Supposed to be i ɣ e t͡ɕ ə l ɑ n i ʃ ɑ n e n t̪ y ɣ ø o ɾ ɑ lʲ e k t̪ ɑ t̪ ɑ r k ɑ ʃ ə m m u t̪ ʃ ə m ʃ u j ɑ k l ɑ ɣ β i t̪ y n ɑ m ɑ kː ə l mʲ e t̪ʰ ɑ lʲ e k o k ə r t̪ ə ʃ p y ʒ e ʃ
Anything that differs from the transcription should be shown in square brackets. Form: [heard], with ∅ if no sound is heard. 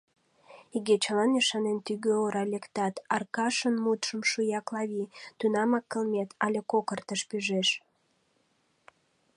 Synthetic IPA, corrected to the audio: i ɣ e t͡ɕ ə l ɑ n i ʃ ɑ n e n t̪ y ɣ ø o ɾ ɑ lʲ e k t̪ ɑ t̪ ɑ r k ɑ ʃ ə [n] m u t̪ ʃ ə m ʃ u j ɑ k l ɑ [∅] β i t̪ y n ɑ m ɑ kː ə l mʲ e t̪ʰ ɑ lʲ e k o k ə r t̪ ə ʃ p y ʒ e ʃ

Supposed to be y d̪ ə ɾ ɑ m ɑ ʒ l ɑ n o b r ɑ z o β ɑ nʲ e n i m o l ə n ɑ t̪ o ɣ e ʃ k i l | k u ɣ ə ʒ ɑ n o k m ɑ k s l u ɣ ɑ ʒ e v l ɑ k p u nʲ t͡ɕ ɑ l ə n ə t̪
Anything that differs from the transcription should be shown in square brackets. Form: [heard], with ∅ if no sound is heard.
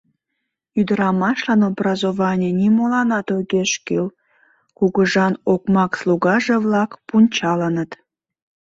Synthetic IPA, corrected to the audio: y d̪ ə ɾ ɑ m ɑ [ʃ] l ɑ n o b r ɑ z o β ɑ nʲ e n i m o l [ɑ] n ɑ t̪ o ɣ e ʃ k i l | k u ɣ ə ʒ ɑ n o k m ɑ k s l u ɣ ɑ ʒ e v l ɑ k p u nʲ t͡ɕ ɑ l ə n ə t̪

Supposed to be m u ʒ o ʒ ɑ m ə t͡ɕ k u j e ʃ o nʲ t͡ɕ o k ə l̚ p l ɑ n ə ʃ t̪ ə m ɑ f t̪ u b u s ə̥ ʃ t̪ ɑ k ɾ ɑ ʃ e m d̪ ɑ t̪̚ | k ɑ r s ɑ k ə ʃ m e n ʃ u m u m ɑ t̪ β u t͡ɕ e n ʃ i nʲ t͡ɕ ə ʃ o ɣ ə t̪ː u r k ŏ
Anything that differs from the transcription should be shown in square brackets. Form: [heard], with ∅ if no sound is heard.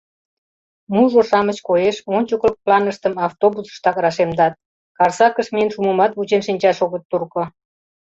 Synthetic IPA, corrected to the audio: m u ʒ o [ʃ] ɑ m ə t͡ɕ k [o] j e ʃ o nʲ t͡ɕ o k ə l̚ p l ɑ n ə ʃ t̪ ə m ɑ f t̪ [o] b u s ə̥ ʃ t̪ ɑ k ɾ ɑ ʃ e m d̪ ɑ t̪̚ | k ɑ r s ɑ k ə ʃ m e n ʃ u m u m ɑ t̪ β u t͡ɕ e n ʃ i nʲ t͡ɕ [ɑ] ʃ o ɣ ə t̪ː u r k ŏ

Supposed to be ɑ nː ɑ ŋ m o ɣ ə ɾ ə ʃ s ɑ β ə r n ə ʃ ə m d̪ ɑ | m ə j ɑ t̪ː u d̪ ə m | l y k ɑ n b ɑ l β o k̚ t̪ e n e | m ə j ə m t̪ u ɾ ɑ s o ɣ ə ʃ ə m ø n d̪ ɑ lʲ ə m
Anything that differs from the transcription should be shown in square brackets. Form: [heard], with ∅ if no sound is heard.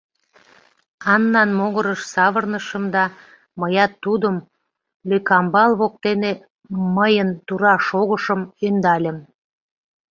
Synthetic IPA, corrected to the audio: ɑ nː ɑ [n] m o ɣ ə ɾ ə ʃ s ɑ β ə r n ə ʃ ə m d̪ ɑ | m ə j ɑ t̪ː u d̪ ə m | l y k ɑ [m] b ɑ l β o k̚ t̪ e n e | m ə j ə [n] t̪ u ɾ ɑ [ʃ] o ɣ ə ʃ ə m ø n d̪ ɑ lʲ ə m

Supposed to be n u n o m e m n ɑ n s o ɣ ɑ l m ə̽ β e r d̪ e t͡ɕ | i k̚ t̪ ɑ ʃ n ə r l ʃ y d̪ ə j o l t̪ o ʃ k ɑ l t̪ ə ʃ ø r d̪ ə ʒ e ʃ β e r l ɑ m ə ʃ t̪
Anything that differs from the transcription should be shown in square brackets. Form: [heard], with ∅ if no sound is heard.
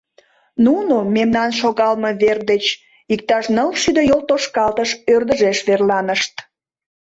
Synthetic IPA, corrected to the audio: n u n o m e m n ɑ n [ʃ] o ɣ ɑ l m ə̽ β e r d̪ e t͡ɕ | i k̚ t̪ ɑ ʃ n ə [∅] l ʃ y d̪ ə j o l t̪ o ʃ k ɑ l t̪ ə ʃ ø r d̪ ə ʒ e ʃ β e r l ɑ [n] ə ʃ t̪

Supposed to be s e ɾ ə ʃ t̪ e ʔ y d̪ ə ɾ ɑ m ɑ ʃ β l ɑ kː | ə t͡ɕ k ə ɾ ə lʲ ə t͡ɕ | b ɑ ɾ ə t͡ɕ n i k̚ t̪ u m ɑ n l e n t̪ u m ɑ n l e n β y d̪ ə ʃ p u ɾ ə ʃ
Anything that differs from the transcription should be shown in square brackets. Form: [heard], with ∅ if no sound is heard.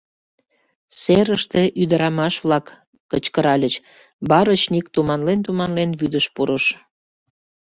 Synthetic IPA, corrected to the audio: s e ɾ ə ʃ t̪ e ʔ y d̪ ə ɾ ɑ m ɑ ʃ β l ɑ kː | ə t͡ɕ k ə ɾ [ɑ] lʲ ə t͡ɕ | b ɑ ɾ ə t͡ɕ n i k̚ t̪ u m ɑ n l e n t̪ u m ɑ n l e n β y d̪ ə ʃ p u ɾ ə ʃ

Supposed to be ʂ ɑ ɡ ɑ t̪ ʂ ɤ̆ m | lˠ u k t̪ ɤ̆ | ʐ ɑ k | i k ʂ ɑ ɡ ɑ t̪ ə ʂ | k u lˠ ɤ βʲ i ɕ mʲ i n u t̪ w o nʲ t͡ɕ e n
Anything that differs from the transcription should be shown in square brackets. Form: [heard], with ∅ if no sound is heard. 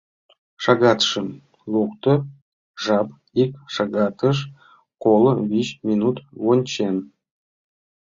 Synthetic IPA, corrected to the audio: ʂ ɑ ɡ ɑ t̪ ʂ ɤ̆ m | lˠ u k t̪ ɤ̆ | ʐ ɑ [p] | i k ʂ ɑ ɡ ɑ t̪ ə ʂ | k [o] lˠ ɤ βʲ i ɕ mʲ i n u t̪ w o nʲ t͡ɕ e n

